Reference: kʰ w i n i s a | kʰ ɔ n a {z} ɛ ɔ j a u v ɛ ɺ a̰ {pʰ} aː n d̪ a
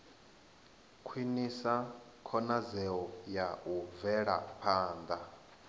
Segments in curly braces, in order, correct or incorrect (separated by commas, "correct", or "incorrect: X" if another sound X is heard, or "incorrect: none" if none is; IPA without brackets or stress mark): correct, correct